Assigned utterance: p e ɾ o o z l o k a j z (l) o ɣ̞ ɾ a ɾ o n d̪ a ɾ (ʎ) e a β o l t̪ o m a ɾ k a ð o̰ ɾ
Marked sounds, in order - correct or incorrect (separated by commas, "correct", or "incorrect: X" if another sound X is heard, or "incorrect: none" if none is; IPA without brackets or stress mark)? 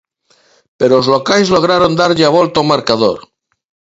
correct, correct